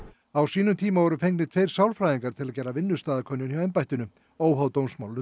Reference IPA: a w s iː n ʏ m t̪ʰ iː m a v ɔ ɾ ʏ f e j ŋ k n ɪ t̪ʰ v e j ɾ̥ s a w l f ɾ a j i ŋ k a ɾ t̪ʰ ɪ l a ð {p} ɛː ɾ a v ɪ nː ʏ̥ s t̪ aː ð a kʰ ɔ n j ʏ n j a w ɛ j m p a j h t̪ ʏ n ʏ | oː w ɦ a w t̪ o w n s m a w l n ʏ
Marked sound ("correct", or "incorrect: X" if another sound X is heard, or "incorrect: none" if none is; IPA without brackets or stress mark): incorrect: c